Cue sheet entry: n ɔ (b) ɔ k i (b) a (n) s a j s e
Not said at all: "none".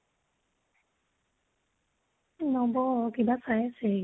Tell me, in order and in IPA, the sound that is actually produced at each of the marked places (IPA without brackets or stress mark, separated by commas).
b, b, none